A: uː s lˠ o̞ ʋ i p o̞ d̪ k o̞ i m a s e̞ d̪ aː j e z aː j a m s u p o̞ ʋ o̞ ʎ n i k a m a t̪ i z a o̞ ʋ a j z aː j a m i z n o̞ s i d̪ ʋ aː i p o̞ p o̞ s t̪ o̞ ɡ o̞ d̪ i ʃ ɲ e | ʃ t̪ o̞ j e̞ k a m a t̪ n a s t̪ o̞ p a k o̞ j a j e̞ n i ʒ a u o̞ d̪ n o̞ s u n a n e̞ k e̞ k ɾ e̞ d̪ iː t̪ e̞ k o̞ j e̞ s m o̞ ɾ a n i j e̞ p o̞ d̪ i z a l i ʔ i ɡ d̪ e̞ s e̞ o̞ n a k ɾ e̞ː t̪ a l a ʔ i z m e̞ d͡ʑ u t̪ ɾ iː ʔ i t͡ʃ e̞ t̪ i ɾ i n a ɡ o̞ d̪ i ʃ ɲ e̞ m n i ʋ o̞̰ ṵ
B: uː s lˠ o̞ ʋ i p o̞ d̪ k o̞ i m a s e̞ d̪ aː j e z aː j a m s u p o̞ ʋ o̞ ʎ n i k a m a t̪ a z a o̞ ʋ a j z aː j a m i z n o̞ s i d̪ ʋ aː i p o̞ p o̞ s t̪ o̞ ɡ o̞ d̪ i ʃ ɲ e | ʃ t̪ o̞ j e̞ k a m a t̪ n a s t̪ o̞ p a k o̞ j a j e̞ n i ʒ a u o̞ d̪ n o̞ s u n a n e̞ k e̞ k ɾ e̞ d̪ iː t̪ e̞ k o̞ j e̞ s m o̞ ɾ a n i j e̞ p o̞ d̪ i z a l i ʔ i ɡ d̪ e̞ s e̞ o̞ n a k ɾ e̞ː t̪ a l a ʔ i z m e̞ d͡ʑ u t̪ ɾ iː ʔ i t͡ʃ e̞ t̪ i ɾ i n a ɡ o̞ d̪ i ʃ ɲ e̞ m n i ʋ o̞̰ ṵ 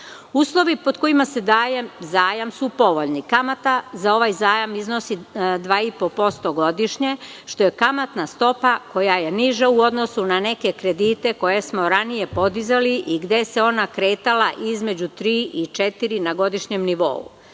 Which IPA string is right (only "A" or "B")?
B